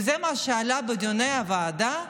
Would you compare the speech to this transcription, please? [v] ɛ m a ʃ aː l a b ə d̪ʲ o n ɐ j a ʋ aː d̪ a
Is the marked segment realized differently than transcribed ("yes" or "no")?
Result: yes